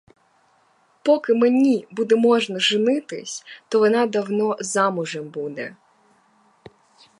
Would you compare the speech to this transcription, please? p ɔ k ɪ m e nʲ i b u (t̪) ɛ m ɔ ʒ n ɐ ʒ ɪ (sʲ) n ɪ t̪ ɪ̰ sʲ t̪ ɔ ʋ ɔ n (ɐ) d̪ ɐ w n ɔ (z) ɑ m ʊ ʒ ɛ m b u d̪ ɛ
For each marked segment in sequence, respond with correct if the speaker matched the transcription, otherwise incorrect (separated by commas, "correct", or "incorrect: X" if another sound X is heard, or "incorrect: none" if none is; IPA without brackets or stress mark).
incorrect: d̪, incorrect: none, incorrect: ɑ, correct